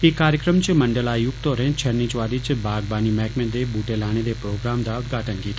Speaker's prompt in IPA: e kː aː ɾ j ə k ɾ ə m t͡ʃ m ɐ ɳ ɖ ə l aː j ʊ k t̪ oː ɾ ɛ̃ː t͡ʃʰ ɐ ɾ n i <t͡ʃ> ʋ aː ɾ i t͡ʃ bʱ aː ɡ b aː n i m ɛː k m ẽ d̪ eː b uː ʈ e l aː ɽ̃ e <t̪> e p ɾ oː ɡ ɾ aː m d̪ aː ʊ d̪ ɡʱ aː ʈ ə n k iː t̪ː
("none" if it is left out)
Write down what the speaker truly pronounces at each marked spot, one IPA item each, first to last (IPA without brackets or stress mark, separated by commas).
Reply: t͡ʃ, d̪